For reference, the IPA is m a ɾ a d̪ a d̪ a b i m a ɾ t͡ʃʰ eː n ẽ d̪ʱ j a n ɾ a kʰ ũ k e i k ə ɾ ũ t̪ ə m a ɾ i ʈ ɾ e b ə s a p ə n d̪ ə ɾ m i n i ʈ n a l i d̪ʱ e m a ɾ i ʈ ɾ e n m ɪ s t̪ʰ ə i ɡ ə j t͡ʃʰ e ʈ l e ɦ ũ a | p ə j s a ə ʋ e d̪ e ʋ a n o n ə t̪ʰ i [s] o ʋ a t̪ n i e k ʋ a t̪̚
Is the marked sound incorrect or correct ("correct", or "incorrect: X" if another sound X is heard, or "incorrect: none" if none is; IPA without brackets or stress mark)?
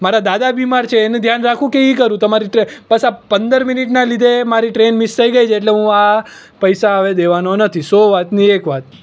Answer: correct